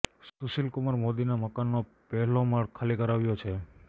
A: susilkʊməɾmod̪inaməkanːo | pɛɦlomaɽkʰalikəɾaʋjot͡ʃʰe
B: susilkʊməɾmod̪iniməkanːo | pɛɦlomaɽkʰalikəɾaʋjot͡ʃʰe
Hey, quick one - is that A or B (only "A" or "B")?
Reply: A